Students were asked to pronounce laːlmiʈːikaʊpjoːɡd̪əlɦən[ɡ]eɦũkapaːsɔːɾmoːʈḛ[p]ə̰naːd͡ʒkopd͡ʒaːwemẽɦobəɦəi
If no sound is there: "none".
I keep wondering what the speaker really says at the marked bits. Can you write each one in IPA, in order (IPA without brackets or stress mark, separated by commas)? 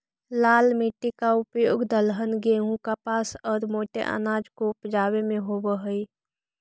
ɡ, ʔ